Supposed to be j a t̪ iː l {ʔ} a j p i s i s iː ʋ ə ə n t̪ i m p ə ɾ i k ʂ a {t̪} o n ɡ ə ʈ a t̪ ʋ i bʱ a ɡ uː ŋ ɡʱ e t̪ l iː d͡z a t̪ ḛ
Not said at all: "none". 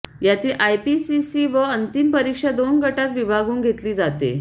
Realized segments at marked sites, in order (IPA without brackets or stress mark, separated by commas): ʔ, d̪